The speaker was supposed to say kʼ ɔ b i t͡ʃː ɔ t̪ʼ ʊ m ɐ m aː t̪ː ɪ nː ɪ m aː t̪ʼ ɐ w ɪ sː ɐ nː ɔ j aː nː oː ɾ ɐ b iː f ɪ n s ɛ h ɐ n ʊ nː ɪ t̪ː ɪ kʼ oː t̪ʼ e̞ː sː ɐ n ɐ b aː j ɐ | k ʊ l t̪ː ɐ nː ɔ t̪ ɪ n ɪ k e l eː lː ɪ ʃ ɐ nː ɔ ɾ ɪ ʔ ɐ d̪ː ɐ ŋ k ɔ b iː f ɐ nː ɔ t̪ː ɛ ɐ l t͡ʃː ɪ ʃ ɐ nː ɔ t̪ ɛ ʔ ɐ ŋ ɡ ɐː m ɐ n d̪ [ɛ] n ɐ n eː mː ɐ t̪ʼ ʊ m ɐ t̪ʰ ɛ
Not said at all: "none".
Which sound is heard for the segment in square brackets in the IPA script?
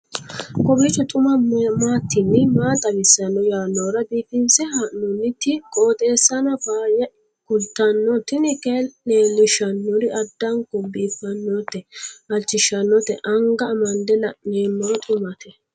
ɛ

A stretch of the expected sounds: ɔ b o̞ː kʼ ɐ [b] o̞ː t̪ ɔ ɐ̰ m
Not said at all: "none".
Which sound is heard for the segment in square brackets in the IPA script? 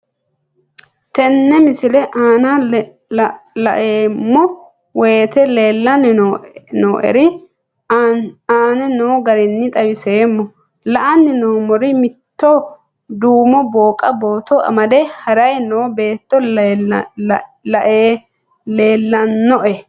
b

